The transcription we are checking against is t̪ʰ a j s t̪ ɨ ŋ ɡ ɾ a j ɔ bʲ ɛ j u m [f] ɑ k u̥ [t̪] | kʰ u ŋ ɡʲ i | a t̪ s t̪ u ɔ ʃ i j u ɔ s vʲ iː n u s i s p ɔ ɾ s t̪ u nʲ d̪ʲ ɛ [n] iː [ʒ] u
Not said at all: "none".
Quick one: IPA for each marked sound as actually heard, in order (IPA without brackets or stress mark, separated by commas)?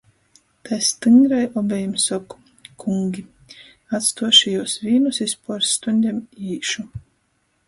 s, none, m, ʃ